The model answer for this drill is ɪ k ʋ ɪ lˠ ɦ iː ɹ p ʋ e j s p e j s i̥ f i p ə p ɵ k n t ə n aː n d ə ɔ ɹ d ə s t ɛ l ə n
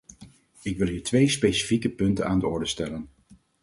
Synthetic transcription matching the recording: ɪ k ʋ ɪ lˠ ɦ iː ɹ t ʋ e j s p e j s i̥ f i k ə p ɵ n t ə n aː n d ə ɔ ɹ d ə s t ɛ l ə n